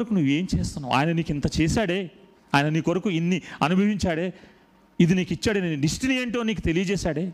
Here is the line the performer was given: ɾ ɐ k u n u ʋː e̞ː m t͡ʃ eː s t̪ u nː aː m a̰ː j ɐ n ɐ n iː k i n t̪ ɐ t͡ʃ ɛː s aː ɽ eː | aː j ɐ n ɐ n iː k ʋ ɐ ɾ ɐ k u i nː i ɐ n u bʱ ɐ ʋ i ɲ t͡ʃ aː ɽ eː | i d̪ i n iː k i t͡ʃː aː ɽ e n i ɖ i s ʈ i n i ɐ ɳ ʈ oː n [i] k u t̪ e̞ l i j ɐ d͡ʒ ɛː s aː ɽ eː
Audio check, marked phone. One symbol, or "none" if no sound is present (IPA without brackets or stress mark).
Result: iː